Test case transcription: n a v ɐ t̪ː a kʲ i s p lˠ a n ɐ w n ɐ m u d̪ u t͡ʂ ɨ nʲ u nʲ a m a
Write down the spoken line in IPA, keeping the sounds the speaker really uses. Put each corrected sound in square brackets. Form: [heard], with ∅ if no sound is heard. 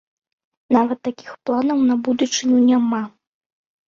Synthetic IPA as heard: n a v ɐ t̪ː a kʲ i [x] p lˠ a n ɐ w n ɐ [b] u d̪ u t͡ʂ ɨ nʲ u nʲ a m a